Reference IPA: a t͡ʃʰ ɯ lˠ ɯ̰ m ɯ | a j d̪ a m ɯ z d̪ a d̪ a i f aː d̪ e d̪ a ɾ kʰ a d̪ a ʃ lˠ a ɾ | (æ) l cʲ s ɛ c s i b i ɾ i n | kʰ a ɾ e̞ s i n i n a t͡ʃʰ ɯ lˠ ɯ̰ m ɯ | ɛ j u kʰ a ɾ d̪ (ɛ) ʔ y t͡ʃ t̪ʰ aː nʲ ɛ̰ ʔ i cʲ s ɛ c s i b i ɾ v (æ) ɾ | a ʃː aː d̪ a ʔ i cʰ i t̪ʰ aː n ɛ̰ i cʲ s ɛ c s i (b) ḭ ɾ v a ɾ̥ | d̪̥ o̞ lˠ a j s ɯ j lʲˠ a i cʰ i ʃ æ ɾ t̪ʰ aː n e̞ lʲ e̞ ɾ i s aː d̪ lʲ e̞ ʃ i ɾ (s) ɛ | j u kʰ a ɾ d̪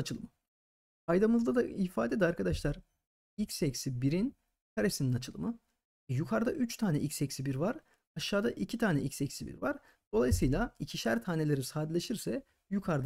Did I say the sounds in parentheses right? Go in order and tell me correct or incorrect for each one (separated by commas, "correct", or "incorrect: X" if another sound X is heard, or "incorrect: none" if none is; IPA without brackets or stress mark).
incorrect: i, incorrect: a, incorrect: a, correct, correct